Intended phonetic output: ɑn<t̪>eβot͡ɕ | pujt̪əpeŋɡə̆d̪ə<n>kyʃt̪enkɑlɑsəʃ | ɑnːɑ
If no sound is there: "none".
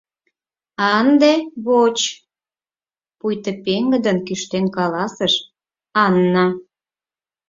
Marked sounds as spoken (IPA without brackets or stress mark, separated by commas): d̪, n